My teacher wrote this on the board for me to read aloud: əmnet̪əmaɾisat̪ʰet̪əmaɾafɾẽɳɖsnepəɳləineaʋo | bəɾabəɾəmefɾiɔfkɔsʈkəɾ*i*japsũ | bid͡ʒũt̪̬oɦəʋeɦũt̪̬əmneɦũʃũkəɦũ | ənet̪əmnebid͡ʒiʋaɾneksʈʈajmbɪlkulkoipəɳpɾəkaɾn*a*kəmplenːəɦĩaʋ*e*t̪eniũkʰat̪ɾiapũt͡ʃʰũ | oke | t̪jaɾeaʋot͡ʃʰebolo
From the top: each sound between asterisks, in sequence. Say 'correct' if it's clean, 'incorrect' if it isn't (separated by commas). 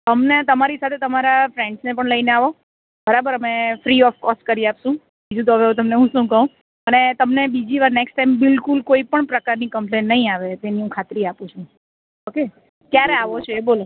correct, incorrect, correct